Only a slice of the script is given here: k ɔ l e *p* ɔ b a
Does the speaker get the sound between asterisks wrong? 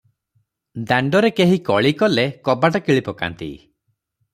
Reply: yes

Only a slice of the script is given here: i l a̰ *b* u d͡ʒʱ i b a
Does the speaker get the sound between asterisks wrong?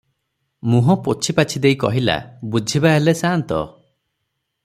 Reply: no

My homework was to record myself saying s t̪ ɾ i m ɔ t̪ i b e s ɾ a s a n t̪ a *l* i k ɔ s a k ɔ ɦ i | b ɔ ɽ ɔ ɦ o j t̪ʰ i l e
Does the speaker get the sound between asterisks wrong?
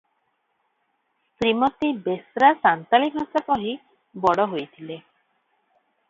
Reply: no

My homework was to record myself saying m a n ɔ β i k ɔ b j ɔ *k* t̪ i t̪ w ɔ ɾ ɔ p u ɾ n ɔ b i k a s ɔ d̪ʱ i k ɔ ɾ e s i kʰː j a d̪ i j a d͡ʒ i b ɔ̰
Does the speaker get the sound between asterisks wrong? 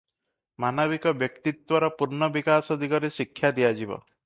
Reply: no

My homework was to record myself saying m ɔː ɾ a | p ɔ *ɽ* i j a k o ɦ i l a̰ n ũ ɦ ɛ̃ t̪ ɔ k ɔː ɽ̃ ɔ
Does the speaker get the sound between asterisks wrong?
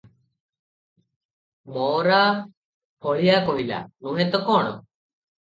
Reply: yes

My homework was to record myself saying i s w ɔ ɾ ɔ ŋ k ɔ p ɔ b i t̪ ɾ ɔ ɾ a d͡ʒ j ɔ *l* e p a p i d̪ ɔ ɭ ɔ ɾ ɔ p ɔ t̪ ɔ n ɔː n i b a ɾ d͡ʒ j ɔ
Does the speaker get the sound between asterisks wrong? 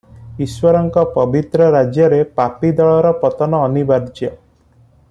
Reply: yes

